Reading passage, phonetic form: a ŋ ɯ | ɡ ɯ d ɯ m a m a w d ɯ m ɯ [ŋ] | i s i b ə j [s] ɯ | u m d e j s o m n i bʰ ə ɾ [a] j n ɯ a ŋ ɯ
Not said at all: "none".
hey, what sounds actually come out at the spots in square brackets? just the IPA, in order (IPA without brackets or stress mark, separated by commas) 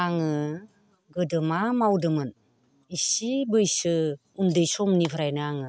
n, s, a